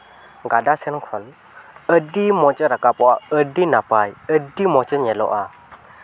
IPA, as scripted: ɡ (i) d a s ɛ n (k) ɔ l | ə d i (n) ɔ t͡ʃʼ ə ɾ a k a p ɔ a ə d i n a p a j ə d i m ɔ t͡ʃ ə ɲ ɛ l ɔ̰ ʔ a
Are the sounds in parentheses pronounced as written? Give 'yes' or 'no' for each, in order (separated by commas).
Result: no, no, no